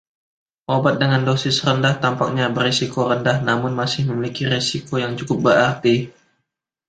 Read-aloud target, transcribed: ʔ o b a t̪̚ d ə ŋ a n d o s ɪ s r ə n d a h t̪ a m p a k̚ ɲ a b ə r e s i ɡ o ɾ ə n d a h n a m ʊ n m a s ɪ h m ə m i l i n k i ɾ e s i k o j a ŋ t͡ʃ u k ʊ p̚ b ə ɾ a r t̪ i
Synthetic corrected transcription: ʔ o b a t̪̚ d ə ŋ a n d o s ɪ s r ə n d a h t̪ a m p a k̚ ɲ a b ə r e s i k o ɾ ə n d a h n a m ʊ n m a s ɪ h m ə m i l i k i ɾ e s i k o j a ŋ t͡ʃ u k ʊ p̚ b ə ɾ a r t̪ i